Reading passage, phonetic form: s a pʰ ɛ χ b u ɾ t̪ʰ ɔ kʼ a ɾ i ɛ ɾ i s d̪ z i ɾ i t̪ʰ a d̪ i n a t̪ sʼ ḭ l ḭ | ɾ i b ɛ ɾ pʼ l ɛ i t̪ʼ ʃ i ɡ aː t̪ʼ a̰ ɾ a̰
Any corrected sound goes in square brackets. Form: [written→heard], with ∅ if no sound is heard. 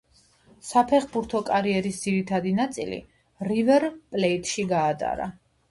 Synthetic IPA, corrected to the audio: s a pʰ ɛ χ b u ɾ t̪ʰ ɔ kʼ a ɾ i ɛ ɾ i s d̪ z i ɾ i t̪ʰ a d̪ i n a t̪ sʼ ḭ l ḭ | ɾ i [b→v] ɛ ɾ pʼ l ɛ i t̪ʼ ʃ i ɡ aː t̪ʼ a̰ ɾ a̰

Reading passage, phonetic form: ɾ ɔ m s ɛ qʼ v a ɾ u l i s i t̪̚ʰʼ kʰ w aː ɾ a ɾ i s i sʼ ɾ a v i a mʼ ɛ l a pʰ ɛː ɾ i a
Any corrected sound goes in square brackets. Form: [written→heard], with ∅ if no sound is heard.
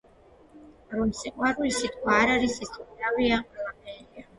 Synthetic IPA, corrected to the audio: ɾ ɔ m s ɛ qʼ [v→w] a ɾ u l i s i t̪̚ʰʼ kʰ w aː ɾ a ɾ i s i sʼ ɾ a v i a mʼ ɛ l a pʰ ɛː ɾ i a

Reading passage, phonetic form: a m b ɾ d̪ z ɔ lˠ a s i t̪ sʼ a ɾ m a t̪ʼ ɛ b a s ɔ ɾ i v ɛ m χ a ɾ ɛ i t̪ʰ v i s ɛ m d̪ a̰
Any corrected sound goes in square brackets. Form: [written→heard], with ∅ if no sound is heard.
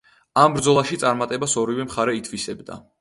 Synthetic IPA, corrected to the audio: a m b ɾ d̪ z ɔ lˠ a [s→ʃ] i t̪ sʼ a ɾ m a t̪ʼ ɛ b a s ɔ ɾ i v ɛ m χ a ɾ ɛ i t̪ʰ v i s ɛ [m→b] d̪ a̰

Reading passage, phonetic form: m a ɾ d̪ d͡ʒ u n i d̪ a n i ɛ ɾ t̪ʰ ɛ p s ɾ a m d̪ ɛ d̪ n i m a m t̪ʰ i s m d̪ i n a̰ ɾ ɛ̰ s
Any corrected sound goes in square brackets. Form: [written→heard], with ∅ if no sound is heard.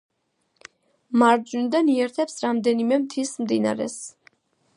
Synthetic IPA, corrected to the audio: m a ɾ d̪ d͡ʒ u n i d̪ a n i ɛ ɾ t̪ʰ ɛ p s ɾ a m d̪ ɛ [d̪→∅] n i m [a→ɛ] m t̪ʰ i s m d̪ i n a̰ ɾ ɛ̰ s

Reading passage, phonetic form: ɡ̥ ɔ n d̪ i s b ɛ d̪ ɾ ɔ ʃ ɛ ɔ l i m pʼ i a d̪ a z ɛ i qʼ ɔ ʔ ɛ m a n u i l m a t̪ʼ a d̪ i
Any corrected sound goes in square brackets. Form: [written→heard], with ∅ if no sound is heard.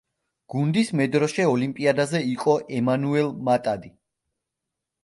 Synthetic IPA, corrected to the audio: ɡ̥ [ɔ→u] n d̪ i s [b→m] ɛ d̪ ɾ ɔ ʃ ɛ ɔ l i m pʼ i a d̪ a z ɛ i qʼ ɔ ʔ ɛ m a n u [i→ɛ] l m a t̪ʼ a d̪ i

